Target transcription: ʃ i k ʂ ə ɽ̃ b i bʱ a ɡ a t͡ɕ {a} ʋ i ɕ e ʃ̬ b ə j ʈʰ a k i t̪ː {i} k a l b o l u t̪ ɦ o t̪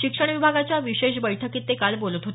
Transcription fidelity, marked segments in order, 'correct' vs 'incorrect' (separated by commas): correct, incorrect